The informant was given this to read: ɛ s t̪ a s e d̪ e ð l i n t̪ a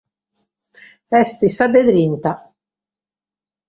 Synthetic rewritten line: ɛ s t̪ i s a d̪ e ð ɾ i n t̪ a